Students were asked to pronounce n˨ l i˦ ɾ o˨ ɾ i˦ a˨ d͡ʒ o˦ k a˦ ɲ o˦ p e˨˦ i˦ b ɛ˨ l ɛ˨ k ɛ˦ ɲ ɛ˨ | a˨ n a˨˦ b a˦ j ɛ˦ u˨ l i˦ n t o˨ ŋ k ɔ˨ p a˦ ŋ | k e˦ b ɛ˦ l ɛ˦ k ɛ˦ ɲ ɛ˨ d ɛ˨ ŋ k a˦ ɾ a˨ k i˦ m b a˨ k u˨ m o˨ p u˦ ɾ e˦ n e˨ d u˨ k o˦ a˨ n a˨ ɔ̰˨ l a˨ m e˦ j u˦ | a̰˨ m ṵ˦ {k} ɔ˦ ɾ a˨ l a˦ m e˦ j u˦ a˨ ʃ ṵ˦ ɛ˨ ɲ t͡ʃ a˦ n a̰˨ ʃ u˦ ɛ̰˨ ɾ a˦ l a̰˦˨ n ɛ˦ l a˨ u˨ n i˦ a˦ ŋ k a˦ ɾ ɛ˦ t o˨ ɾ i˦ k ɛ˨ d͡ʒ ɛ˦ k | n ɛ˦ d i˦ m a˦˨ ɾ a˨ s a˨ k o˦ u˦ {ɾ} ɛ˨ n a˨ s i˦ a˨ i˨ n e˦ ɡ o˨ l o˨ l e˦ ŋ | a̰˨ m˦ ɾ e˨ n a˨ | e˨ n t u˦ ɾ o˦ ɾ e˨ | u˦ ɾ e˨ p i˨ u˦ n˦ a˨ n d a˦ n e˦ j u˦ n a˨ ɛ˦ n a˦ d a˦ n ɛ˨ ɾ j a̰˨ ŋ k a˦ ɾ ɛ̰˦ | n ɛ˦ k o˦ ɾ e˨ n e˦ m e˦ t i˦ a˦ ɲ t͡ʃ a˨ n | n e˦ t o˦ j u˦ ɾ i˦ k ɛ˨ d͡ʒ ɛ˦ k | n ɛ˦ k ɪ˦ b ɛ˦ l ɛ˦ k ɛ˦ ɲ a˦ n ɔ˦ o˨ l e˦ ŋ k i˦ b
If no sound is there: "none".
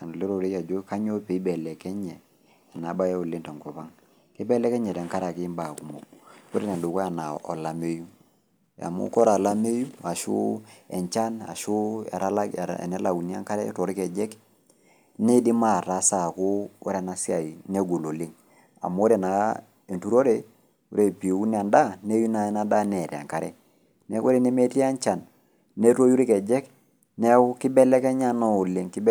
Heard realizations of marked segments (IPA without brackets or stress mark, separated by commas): k, ɾ